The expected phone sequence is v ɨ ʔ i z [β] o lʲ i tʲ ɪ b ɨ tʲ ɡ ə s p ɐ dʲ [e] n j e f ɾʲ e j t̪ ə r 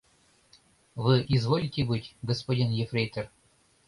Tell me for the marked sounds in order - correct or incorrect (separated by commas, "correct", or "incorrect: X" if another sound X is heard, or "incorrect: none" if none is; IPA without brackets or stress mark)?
incorrect: v, incorrect: i